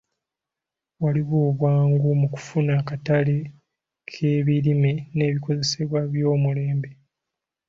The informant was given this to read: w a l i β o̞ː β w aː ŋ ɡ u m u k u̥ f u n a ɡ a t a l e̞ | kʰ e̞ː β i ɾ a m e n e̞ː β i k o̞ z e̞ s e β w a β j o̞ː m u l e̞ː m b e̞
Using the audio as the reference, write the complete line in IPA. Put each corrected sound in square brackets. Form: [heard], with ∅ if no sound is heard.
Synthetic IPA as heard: w a l i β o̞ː β w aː ŋ ɡ u m u k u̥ f u n a [k] a t a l e̞ | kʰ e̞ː β i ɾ [i] m e n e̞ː β i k o̞ z e̞ s e β w a β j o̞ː m u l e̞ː m b e̞